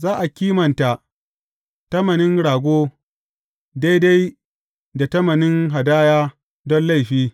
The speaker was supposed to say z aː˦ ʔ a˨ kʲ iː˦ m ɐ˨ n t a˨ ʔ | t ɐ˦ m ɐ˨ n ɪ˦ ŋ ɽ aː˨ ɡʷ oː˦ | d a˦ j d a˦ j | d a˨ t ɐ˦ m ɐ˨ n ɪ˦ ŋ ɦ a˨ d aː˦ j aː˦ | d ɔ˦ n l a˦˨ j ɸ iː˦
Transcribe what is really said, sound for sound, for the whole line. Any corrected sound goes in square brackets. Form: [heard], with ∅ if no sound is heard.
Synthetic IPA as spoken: z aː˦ ʔ a˨ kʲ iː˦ m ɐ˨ n t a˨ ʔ | t ɐ˦ m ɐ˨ n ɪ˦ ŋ ɽ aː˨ ɡʷ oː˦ | d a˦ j d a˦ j | d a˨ t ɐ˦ m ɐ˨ n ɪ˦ ŋ ɦ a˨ d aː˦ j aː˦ | d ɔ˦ n l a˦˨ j ɸ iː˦